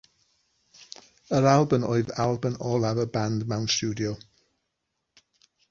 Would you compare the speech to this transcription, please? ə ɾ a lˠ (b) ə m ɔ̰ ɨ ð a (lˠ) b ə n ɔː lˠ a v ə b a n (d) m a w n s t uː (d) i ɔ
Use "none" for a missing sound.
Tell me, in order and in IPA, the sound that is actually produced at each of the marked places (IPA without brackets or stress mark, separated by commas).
b, lˠ, d, d